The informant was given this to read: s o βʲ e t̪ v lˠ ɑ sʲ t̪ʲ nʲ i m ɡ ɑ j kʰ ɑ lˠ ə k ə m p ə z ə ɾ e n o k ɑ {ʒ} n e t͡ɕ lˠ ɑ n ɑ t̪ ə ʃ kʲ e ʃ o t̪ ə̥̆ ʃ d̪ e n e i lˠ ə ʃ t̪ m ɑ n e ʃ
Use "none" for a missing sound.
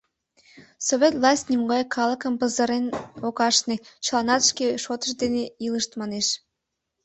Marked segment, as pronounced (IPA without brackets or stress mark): ʃ